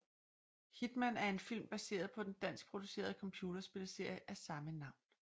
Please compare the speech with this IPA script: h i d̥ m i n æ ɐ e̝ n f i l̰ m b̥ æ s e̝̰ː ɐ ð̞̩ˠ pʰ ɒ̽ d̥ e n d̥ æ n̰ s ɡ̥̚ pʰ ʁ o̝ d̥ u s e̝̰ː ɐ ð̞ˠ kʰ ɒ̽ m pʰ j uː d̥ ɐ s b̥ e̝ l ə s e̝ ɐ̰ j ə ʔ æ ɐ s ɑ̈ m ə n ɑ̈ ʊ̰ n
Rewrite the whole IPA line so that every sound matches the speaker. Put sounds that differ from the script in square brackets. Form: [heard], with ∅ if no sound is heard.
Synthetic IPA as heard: h i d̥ m [æ] n æ ɐ e̝ n f i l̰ m b̥ æ s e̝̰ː ɐ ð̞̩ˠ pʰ ɒ̽ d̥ e n d̥ æ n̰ s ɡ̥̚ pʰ ʁ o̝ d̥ u s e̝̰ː ɐ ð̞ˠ kʰ ɒ̽ m pʰ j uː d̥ ɐ s b̥ e̝ l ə s e̝ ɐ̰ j ə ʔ æ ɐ s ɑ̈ m ə n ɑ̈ ʊ̰ n